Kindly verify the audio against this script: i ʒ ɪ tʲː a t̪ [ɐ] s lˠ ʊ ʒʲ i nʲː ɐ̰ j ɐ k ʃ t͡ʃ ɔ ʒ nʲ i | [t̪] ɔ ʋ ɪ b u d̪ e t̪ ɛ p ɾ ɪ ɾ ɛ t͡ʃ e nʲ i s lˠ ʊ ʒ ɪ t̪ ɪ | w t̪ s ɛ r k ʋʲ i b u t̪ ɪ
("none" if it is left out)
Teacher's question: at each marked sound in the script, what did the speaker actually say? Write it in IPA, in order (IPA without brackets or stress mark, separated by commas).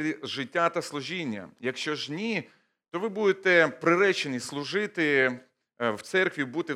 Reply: ɐ, t̪